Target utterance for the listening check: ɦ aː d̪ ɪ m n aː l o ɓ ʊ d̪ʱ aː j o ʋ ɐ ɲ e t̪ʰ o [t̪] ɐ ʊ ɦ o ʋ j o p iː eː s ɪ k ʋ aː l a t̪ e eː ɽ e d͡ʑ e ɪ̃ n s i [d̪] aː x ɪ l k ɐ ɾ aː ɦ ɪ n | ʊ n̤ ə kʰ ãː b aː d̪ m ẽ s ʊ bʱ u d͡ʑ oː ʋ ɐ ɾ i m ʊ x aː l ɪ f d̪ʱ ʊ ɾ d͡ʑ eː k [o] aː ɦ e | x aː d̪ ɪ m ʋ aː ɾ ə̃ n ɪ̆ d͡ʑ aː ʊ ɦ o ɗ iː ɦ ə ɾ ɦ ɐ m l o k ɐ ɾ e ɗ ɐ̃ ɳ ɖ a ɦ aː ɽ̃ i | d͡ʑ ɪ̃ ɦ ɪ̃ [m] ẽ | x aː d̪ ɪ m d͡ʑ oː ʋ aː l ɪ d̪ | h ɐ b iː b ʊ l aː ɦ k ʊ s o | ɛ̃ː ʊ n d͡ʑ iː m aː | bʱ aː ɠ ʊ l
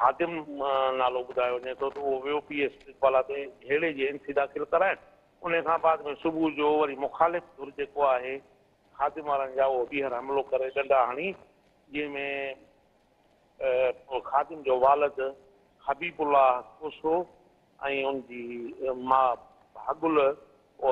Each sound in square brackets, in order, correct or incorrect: correct, correct, correct, correct

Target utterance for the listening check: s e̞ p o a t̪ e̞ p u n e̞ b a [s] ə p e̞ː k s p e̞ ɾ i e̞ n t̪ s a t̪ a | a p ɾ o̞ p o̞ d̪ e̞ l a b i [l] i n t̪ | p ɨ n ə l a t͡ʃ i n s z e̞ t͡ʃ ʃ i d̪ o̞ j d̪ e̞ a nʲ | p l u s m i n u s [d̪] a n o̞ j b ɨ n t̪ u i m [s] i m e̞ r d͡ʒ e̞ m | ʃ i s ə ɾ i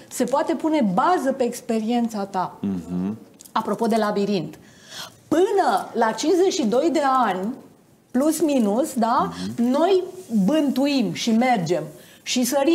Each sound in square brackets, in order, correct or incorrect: incorrect, incorrect, correct, incorrect

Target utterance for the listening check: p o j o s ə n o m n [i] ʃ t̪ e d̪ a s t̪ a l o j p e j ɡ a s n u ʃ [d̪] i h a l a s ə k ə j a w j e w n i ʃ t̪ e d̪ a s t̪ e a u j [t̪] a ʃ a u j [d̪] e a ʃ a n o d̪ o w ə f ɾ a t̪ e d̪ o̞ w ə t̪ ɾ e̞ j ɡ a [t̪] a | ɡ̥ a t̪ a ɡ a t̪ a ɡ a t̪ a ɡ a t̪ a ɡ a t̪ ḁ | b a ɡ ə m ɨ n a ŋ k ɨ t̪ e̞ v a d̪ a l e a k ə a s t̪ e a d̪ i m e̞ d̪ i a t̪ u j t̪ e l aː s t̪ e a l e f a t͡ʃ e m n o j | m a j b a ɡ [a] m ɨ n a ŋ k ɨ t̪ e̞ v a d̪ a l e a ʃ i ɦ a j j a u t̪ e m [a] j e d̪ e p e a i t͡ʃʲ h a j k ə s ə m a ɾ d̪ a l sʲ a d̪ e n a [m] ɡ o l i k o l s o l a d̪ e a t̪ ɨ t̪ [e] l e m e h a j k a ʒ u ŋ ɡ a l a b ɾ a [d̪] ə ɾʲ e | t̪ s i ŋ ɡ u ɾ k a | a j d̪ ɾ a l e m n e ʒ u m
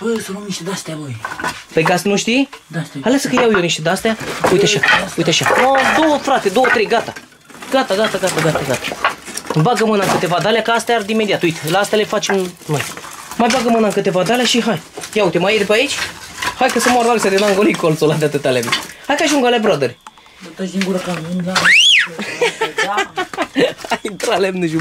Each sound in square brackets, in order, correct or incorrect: correct, incorrect, correct, incorrect, correct, incorrect, correct, incorrect, incorrect, correct

